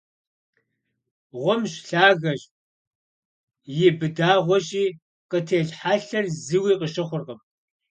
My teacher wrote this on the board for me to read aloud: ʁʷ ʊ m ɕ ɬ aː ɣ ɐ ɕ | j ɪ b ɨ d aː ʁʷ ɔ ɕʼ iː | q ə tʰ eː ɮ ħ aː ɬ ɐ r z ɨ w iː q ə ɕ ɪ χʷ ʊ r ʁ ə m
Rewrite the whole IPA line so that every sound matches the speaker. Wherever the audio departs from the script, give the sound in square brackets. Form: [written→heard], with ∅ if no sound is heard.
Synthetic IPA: ʁʷ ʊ m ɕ ɬ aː ɣ ɐ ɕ | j ɪ b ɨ d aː ʁʷ ɔ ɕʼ iː | q ə tʰ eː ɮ ħ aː ɬ ɐ r z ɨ w iː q ə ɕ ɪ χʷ ʊ r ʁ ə m

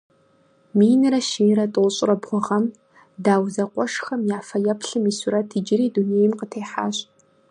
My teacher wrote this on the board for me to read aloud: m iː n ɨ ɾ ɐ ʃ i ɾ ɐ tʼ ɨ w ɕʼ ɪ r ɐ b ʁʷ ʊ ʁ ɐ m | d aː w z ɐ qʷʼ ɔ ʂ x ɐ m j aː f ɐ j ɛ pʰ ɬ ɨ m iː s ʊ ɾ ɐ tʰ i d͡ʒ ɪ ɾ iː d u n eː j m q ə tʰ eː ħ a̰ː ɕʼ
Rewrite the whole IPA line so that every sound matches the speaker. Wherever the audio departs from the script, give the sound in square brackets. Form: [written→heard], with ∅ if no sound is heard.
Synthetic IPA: m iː n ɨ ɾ ɐ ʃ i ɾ ɐ tʼ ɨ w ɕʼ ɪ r ɐ b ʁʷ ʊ ʁ ɐ m | d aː w z ɐ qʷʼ ɔ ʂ x ɐ m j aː f ɐ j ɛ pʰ ɬ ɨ m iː s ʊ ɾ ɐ tʰ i d͡ʒ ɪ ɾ iː d u n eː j m q ə tʰ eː ħ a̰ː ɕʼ

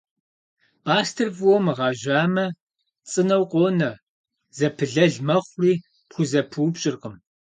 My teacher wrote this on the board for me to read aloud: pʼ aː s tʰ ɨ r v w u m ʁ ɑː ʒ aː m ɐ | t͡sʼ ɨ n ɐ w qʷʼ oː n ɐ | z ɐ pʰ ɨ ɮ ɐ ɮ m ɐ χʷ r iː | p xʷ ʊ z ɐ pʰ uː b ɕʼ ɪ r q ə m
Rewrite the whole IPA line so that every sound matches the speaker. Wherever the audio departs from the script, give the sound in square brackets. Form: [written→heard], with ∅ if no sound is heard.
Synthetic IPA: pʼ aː s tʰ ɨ r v w [u→ɔ] m ʁ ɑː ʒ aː m ɐ | t͡sʼ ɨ n ɐ w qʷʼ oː n ɐ | z ɐ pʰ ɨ ɮ ɐ ɮ m ɐ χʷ r iː | p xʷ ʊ z ɐ pʰ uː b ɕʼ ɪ r q ə m

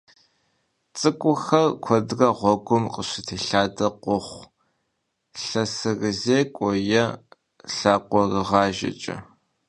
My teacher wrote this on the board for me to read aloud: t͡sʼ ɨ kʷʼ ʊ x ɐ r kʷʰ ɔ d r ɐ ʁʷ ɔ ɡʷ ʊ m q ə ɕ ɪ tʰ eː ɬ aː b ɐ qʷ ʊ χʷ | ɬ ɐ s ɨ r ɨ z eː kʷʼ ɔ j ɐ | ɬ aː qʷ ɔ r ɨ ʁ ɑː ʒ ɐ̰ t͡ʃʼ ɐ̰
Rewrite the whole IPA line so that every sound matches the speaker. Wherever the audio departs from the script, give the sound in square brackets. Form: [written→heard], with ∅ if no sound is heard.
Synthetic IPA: t͡sʼ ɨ kʷʼ ʊ x ɐ r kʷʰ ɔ d r ɐ ʁʷ ɔ ɡʷ ʊ m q ə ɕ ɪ tʰ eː ɬ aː [b→d] ɐ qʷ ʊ χʷ | ɬ ɐ s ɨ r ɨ z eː kʷʼ ɔ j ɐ | ɬ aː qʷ ɔ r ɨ ʁ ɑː ʒ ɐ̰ t͡ʃʼ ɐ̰

